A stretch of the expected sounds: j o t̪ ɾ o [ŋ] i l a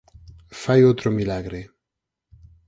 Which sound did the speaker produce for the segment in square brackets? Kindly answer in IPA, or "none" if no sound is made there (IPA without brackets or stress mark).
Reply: m